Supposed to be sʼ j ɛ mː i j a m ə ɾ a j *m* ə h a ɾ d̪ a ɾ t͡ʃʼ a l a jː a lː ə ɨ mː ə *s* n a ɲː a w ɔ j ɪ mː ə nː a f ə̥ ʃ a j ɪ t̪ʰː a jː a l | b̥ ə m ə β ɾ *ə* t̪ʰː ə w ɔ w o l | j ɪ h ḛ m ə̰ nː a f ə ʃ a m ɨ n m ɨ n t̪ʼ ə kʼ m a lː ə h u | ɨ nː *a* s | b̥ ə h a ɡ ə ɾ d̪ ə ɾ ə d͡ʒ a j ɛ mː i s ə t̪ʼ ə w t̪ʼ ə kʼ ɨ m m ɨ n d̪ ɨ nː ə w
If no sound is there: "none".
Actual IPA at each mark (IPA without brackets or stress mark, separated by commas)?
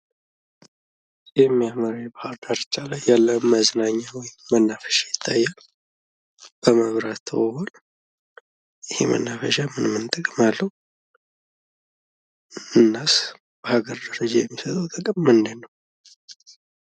b, z, a, a